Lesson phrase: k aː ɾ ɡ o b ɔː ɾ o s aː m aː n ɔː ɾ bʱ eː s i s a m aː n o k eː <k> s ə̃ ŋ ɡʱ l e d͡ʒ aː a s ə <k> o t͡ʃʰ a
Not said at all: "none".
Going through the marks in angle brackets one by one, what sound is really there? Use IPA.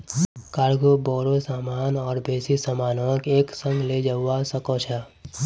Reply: k, k

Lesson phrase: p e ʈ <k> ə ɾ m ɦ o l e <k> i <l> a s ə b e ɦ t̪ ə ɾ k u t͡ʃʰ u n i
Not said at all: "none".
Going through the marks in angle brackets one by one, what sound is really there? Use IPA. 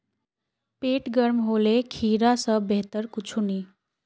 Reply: ɡ, kʰ, ɾ

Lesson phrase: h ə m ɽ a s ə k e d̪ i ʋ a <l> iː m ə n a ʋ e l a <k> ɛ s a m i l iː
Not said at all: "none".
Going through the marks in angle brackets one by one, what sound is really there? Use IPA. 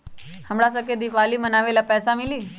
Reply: l, p

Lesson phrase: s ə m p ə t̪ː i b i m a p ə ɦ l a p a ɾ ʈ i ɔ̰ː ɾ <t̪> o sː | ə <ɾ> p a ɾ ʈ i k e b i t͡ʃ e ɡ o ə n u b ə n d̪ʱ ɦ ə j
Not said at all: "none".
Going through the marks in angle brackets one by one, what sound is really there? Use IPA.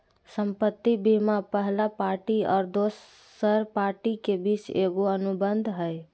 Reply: d̪, ɾ

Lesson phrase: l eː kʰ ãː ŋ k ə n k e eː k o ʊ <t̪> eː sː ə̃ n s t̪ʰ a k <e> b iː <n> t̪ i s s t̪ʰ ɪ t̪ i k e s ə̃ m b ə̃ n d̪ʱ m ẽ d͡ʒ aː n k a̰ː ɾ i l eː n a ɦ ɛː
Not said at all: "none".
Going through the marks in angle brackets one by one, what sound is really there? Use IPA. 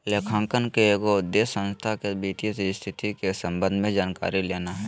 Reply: d̪, e, none

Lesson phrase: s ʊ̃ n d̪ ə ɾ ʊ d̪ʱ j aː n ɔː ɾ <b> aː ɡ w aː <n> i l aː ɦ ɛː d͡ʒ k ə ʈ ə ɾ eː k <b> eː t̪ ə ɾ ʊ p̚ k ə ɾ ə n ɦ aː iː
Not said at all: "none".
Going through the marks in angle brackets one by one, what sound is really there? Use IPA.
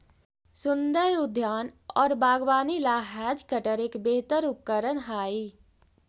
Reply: b, n, b

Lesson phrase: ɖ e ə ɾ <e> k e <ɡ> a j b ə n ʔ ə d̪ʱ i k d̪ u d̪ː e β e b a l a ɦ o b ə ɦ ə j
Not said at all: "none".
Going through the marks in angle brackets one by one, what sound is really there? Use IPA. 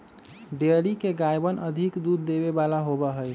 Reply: i, ɡ

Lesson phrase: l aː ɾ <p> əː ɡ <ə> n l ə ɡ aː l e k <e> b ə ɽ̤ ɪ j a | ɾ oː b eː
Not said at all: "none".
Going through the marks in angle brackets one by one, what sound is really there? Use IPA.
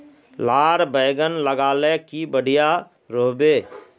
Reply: b, ə, i

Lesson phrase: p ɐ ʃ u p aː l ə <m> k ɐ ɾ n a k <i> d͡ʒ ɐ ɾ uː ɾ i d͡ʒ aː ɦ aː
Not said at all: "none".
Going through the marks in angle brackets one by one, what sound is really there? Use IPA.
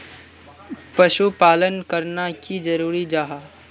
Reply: n, i

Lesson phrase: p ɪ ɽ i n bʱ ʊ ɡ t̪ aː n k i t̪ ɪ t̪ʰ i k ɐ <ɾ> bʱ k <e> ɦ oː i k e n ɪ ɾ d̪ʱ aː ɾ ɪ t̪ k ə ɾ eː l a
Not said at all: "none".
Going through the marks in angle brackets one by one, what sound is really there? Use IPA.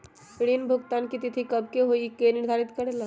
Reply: none, e

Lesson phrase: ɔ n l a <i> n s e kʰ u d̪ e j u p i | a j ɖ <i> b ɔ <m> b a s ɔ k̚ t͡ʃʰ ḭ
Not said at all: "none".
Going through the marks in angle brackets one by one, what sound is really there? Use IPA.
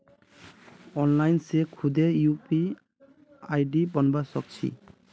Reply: j, i, n

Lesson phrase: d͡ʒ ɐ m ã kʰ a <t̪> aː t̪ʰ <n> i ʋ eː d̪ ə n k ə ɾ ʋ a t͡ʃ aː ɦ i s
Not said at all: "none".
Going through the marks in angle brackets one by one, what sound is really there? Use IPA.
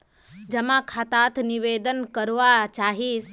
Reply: t̪, n

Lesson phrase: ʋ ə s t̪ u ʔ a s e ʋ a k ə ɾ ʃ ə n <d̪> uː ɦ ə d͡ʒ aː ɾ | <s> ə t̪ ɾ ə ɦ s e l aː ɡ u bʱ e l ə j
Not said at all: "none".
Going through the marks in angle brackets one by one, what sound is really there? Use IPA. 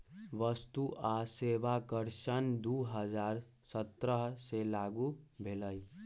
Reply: d̪, s

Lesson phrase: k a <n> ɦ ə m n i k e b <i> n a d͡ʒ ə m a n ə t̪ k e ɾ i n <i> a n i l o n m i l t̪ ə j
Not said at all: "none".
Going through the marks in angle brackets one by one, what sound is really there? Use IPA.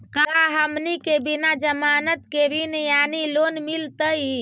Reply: none, i, j

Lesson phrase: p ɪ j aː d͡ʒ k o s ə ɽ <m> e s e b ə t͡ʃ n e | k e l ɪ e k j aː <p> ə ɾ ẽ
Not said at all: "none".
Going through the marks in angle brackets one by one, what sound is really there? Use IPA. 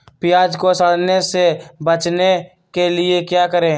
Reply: n, k

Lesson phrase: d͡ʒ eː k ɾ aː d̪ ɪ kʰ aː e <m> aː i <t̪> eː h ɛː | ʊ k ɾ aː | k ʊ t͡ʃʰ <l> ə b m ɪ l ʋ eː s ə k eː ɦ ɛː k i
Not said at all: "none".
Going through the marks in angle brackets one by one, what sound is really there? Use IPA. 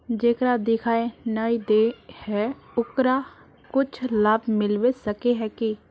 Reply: n, d̪, l

